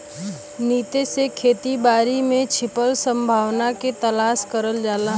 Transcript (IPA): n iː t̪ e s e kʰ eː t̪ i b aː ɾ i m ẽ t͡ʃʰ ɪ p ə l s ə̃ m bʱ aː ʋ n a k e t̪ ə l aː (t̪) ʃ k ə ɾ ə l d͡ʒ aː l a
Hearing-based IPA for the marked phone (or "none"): none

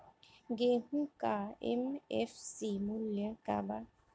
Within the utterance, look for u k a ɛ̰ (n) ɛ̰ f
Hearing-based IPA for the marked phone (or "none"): m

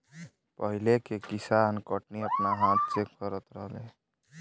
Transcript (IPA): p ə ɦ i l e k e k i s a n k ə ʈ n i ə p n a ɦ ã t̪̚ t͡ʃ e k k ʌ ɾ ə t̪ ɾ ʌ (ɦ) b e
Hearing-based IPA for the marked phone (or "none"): ɦ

